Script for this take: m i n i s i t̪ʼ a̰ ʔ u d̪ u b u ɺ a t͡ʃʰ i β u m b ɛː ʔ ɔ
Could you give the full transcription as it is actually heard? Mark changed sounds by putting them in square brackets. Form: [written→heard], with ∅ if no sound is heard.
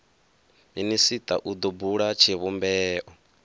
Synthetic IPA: m i n i s i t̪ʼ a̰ ʔ u d̪ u b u ɺ a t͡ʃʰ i β u m b ɛː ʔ ɔ